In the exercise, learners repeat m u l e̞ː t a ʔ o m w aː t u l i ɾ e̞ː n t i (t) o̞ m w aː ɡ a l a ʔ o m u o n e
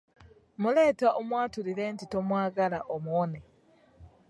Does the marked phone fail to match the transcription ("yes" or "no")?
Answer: no